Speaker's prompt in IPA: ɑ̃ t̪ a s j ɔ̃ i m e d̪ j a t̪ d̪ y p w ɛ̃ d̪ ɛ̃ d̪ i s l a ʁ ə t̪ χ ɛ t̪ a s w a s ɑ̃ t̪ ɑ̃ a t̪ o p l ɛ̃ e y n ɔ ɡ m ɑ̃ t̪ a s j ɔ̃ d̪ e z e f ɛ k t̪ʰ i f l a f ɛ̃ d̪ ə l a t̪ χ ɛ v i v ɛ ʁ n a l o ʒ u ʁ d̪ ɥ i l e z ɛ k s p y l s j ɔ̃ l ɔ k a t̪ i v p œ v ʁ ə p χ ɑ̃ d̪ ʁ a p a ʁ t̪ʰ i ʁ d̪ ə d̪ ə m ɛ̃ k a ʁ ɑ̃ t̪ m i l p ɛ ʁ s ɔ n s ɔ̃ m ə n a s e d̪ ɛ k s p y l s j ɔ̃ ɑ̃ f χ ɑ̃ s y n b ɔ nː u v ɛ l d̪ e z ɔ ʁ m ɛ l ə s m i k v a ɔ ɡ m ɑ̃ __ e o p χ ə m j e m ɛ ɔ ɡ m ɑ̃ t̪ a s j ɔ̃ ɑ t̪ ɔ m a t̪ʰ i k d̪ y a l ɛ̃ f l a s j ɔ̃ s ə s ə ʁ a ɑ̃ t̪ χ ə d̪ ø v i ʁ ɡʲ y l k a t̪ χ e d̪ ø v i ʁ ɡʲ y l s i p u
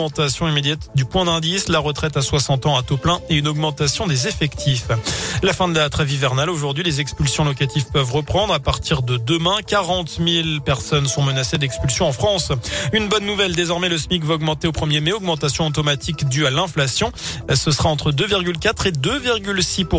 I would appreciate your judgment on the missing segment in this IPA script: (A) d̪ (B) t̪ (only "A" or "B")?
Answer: B